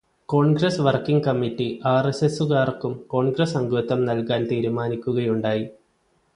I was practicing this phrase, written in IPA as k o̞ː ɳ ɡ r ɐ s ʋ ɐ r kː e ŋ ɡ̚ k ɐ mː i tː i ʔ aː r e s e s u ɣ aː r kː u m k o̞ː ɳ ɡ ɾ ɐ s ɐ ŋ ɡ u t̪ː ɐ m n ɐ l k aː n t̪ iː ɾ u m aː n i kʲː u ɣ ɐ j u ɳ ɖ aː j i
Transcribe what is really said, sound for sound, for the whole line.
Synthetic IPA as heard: k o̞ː ɳ ɡ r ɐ s ʋ ɐ r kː i ŋ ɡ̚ k ɐ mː i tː i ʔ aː r e s e s u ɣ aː r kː u m k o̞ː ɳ ɡ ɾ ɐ s ɐ ŋ ɡ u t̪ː ɐ m n ɐ l k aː n t̪ iː ɾ u m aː n i kʲː u ɣ ɐ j u ɳ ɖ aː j i